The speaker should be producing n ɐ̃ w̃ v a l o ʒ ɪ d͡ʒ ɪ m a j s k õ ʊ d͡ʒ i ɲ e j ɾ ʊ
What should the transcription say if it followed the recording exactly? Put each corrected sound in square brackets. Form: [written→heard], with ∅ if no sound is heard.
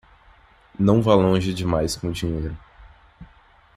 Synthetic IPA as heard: n ɐ̃ w̃ v a l [o→õ] ʒ ɪ d͡ʒ ɪ m a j s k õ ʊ d͡ʒ i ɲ e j ɾ ʊ